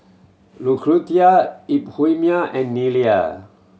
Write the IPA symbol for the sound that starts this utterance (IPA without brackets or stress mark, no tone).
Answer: l